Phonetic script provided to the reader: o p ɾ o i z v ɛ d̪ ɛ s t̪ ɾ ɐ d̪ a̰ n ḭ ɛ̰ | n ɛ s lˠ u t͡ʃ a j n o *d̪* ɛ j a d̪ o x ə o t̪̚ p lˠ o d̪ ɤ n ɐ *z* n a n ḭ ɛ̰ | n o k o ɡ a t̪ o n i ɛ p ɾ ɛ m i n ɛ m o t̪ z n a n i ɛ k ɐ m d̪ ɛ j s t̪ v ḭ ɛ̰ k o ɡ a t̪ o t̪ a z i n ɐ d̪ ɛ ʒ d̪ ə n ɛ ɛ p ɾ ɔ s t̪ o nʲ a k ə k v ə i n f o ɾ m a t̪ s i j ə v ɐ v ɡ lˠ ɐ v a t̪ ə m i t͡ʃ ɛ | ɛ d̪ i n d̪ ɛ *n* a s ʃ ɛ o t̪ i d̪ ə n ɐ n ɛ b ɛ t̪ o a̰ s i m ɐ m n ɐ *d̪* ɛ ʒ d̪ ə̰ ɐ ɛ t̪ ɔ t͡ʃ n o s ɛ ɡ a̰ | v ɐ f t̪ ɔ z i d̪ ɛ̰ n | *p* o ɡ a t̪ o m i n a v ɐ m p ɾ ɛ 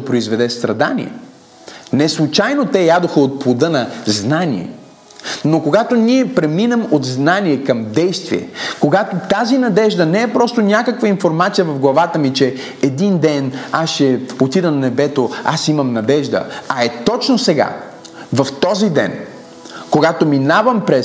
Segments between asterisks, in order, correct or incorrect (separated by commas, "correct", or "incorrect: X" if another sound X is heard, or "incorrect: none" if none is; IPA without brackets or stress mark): incorrect: t̪, correct, correct, correct, incorrect: k